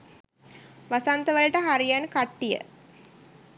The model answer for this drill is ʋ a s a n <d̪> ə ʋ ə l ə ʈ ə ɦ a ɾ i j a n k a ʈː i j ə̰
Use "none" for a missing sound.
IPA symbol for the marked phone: t̪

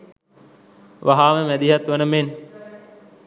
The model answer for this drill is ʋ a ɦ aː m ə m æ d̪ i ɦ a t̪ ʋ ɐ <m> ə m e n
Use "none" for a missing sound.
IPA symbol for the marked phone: n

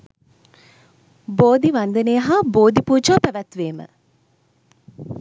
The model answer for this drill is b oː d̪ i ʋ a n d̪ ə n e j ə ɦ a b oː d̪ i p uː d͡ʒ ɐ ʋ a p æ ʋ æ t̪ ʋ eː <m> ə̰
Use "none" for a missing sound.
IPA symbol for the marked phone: m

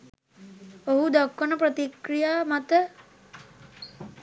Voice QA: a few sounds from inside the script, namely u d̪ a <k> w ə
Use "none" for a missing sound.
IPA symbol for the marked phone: k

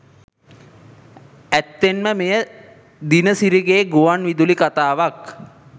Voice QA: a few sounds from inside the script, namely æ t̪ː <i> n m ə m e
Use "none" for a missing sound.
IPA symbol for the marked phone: e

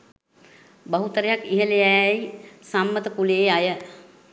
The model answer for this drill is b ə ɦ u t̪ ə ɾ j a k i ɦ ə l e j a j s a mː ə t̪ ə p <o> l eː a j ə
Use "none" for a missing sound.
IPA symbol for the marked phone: u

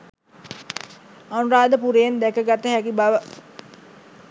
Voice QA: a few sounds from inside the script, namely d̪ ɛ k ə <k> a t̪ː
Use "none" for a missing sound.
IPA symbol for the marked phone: ɡ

